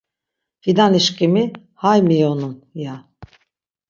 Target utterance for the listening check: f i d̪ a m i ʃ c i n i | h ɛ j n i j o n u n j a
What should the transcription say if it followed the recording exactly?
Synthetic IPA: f i d̪ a n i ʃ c i m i | h a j m i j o n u n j a

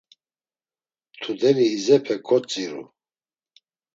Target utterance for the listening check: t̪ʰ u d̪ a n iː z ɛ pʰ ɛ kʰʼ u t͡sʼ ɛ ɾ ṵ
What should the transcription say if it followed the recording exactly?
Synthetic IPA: t̪ʰ u d̪ ɛ n iː z ɛ pʰ ɛ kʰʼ ɔ t͡sʼ i ɾ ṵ

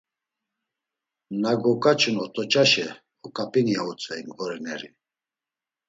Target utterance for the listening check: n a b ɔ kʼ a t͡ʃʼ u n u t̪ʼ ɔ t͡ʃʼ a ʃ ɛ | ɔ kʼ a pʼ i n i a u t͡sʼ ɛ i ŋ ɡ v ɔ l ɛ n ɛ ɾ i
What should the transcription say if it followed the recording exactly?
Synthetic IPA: n a ɡ ɔ kʼ a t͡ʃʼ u n ɔ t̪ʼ ɔ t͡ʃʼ a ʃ ɛ | ɔ kʼ a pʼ i n i a u t͡sʼ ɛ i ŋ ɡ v ɔ ɾ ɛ n ɛ ɾ i

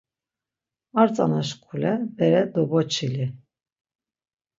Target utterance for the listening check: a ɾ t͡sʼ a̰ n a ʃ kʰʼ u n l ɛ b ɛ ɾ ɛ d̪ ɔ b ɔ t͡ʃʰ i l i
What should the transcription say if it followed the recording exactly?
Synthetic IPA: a ɾ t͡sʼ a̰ n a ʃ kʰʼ u l ɛ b ɛ ɾ ɛ d̪ ɔ b ɔ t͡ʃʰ i l i

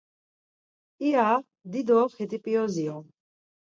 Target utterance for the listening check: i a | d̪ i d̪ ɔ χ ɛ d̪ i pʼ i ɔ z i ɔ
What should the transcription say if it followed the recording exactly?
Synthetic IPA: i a | d̪ i d̪ ɔ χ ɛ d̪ i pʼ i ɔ z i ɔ

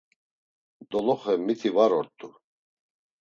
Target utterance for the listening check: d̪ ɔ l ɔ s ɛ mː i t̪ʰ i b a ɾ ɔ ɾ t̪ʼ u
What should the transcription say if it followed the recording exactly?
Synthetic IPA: d̪ ɔ l ɔ χ ɛ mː i t̪ʰ i v a ɾ ɔ ɾ t̪ʼ u

